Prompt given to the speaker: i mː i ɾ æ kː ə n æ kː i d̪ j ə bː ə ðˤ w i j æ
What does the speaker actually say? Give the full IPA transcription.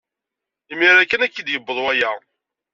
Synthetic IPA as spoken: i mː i ɾ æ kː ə n æ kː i d̪ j ə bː ə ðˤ w æ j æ

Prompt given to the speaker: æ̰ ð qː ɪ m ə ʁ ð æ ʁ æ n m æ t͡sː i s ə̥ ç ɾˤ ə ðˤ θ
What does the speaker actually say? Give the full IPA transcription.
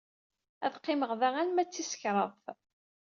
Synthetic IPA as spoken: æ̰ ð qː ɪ m ə ʁ ð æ ʁ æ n m æ t͡sː i s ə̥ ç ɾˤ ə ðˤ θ

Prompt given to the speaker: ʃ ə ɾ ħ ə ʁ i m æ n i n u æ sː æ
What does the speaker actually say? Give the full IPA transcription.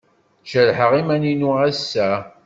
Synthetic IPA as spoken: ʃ ə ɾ ħ ə ʁ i m æ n i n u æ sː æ

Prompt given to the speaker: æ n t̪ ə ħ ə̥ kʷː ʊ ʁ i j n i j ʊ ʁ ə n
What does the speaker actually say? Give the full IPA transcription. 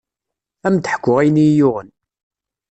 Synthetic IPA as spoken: æ m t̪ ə ħ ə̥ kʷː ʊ ʁ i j n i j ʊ ʁ ə n

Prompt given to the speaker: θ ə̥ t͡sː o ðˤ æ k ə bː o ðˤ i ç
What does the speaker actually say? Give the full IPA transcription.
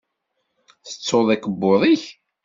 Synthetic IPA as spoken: θ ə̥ t͡sː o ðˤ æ k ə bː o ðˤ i ç

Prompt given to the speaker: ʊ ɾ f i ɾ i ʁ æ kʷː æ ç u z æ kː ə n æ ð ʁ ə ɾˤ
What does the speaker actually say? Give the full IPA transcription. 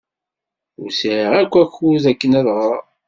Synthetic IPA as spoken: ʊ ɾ s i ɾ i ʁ æ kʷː æ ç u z æ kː ə n æ ð ʁ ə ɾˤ

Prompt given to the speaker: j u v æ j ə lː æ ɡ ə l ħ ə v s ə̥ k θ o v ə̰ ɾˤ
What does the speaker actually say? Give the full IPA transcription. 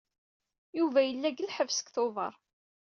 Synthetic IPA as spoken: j u v æ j ə lː æ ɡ ə l ħ ə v s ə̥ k θ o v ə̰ ɾˤ

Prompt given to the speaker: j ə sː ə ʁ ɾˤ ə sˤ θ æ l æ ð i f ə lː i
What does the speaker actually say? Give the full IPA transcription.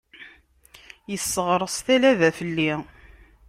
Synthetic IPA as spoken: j ə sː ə ʁ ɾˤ ə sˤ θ æ l æ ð æ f ə lː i

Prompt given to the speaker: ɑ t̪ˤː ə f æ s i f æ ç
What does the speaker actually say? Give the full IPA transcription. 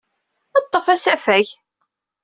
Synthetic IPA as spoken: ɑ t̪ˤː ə f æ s æ f æ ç

